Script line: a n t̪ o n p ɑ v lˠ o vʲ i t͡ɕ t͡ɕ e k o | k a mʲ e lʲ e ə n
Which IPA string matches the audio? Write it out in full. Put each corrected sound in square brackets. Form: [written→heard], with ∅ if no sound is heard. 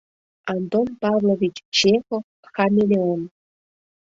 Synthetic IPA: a n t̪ o n p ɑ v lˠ o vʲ i t͡ɕ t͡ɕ e [k→x] o | [k→x] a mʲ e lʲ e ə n